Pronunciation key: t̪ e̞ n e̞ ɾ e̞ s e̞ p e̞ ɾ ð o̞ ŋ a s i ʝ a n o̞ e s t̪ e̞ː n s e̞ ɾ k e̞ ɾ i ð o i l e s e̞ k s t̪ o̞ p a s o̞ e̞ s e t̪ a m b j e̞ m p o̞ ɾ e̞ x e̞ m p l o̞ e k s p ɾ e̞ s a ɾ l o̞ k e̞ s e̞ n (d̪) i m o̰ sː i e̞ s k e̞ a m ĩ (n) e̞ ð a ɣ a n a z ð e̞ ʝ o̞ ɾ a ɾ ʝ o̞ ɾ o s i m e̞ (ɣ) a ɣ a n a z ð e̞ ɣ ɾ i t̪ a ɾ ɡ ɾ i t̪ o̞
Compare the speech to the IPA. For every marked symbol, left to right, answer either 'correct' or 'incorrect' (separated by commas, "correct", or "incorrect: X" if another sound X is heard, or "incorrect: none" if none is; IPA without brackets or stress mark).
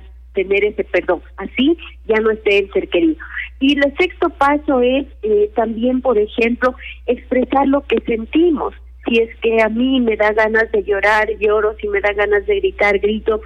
incorrect: t̪, incorrect: m, incorrect: ð